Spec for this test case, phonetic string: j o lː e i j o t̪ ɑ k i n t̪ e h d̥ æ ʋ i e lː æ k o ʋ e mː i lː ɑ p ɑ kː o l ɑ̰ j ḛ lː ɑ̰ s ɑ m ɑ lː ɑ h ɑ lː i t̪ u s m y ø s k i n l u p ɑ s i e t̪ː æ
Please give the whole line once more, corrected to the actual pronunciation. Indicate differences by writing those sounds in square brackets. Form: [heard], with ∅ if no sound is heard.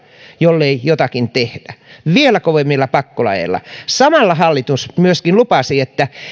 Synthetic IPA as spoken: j o lː e i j o t̪ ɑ k i n t̪ e h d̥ æ ʋ i e [l] æ k o ʋ e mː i lː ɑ p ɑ kː o l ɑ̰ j ḛ lː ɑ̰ s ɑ m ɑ lː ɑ h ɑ lː i t̪ u s m y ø s k i n l u p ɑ s i e t̪ː æ